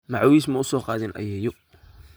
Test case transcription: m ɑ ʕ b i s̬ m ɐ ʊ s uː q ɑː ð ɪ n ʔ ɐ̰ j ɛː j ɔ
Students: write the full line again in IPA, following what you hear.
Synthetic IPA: m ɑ ʕ w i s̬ m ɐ ʊ s ɔː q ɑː ð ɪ n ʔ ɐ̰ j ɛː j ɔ